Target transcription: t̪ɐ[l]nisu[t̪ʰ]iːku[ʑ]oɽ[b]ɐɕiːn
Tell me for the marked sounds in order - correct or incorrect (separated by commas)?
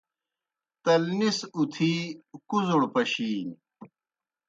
correct, correct, incorrect, incorrect